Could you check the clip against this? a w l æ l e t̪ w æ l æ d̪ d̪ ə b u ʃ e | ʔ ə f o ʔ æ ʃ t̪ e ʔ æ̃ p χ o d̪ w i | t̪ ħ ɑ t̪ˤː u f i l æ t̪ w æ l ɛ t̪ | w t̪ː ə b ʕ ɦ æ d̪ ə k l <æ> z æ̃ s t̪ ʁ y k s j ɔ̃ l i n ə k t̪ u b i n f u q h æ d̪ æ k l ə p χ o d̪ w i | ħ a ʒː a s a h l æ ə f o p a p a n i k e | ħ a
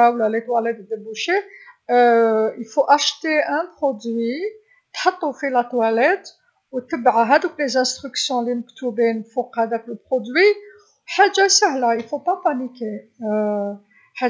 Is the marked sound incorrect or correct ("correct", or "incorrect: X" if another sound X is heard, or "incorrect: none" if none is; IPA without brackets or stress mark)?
incorrect: e